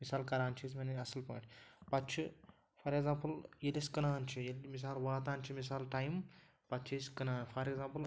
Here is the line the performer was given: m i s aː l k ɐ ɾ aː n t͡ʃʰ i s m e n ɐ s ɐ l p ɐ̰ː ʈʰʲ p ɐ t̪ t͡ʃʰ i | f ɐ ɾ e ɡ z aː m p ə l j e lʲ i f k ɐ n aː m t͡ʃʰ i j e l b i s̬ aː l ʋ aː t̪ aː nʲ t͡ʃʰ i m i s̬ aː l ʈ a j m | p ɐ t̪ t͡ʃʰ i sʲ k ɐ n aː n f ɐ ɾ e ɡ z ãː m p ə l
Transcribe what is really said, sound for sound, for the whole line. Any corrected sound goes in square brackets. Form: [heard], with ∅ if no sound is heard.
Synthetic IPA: m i s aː l k ɐ ɾ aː n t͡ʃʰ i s m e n ɐ s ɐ l p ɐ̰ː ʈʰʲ p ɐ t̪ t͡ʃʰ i | f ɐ ɾ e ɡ z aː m p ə l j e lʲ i [s] k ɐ n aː [n] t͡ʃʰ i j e l [m] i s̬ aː l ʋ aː t̪ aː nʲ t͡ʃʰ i m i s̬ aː l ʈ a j m | p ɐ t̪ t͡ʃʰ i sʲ k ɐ n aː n f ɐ ɾ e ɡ z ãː m p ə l

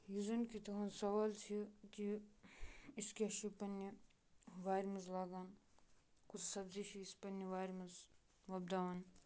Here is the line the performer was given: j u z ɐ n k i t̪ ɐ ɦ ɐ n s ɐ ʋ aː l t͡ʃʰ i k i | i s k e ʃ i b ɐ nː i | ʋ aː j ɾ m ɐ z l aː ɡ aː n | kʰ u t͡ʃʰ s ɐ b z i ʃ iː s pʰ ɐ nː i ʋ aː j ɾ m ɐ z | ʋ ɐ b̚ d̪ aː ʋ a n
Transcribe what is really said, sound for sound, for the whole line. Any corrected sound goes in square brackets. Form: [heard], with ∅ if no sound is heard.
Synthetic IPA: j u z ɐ n k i t̪ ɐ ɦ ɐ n s ɐ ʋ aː l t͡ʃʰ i k i | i s k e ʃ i [p] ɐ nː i | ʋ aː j ɾ m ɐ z l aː ɡ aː n | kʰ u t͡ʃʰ s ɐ b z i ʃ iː s [p] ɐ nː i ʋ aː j ɾ m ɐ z | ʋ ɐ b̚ d̪ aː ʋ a n

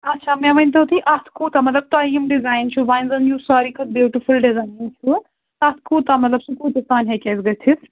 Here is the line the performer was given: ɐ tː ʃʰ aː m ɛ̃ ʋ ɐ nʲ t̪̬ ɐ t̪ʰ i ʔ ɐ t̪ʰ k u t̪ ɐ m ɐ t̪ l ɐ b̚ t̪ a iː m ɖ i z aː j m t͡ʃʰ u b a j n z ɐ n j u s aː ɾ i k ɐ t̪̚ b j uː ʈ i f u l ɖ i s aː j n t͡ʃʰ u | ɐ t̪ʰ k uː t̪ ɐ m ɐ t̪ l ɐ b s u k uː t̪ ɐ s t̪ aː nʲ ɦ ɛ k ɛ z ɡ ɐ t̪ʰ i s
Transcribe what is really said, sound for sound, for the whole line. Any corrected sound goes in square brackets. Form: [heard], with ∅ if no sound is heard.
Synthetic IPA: ɐ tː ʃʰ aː m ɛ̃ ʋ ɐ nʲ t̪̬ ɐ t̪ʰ i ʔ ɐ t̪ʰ k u t̪ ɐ m ɐ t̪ l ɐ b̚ t̪ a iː m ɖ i z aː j [n] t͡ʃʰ u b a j n z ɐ n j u s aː ɾ i k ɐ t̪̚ b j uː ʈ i f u l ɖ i [z] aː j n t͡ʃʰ u | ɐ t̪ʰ k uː t̪ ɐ m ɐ t̪ l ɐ b s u k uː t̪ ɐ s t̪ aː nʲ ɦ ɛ k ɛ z ɡ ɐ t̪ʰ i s

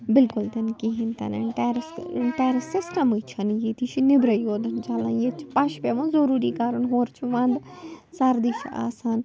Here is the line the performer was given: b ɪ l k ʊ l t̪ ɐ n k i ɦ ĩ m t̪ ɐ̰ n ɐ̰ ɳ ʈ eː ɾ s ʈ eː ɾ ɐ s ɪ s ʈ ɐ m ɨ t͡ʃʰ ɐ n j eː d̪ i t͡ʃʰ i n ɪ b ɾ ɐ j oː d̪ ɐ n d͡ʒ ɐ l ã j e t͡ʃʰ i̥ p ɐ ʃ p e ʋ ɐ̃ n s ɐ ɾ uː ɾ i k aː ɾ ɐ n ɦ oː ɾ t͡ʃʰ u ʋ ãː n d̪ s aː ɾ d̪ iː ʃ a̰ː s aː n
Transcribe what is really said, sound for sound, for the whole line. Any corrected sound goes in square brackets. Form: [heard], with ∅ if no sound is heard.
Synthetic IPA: b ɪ l k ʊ l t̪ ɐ n k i ɦ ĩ [n] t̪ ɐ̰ n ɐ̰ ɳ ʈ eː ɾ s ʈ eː ɾ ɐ s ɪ s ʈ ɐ m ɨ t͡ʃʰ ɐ n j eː [t̪] i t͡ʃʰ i n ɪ b ɾ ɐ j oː d̪ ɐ n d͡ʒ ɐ l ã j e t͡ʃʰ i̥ p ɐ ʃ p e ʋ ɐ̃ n [z] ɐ ɾ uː ɾ i k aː ɾ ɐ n ɦ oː ɾ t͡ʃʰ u ʋ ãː n d̪ s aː ɾ d̪ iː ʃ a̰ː s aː n

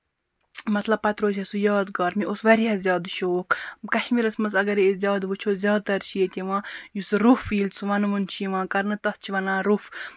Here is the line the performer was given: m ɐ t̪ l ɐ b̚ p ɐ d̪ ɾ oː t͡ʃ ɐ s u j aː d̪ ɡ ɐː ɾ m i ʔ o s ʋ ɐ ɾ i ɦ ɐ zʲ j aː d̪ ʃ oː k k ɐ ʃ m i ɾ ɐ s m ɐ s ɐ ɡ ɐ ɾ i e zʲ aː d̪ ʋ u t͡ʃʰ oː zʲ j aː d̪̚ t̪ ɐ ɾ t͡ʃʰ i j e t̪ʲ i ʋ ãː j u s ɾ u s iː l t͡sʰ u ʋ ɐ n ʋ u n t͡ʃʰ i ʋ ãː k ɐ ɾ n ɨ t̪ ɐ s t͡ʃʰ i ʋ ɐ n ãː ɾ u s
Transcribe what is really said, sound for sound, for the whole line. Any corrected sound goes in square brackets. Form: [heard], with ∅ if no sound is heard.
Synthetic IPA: m ɐ t̪ l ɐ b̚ p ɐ [t̪] ɾ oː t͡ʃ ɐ s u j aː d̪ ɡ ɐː ɾ m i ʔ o s ʋ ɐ ɾ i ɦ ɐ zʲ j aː d̪ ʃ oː k k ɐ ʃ m i ɾ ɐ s m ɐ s ɐ ɡ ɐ ɾ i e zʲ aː d̪ ʋ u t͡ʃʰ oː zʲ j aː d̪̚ t̪ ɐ ɾ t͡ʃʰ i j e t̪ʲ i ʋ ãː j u s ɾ u [f] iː l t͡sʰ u ʋ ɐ n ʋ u n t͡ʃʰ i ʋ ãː k ɐ ɾ n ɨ t̪ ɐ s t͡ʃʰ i ʋ ɐ n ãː ɾ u [f]

